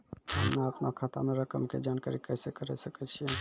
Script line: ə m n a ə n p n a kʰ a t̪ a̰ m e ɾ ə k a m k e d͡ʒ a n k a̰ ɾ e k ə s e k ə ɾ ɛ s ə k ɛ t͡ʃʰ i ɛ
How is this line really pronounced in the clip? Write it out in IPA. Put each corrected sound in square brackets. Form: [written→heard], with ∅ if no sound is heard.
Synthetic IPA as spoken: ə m n a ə [n→∅] p n a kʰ a t̪ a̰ m e ɾ ə k [a→ə] m k e d͡ʒ a n k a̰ ɾ [e→i] k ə s e k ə ɾ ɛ s ə k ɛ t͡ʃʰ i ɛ